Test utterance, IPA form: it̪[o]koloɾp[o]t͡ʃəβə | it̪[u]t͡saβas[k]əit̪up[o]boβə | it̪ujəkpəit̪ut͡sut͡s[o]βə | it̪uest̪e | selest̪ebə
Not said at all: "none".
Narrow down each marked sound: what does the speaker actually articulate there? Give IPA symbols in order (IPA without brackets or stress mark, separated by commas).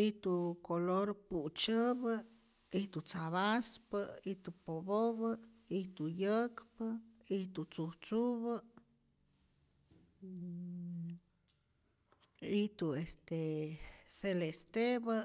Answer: u, u, u, p, o, u